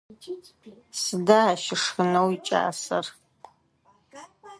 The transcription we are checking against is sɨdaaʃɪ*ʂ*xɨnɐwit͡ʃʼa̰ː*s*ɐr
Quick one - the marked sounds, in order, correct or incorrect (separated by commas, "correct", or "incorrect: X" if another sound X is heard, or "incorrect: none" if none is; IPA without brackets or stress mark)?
correct, correct